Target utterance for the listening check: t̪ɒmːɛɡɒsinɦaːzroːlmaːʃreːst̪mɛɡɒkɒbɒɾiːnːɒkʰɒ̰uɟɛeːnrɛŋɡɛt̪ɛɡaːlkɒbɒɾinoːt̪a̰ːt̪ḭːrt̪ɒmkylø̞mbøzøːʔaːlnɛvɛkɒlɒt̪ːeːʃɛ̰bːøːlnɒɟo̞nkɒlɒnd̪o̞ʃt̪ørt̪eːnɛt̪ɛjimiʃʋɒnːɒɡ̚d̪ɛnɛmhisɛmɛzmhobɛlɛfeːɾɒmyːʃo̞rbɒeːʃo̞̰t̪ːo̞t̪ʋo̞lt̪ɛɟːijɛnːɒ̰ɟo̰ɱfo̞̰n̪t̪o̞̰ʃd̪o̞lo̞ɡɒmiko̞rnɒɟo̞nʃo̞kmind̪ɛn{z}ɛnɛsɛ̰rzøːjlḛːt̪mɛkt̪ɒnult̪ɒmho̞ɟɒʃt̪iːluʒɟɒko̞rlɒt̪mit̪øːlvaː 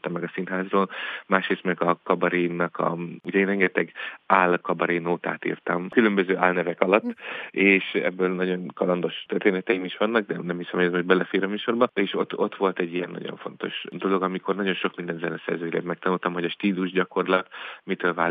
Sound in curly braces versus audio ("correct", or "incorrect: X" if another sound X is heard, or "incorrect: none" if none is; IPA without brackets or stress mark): correct